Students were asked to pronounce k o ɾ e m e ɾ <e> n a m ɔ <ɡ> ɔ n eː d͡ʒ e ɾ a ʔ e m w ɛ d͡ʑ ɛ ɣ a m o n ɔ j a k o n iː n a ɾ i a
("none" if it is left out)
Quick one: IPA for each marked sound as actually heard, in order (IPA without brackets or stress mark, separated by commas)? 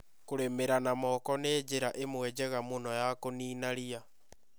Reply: a, k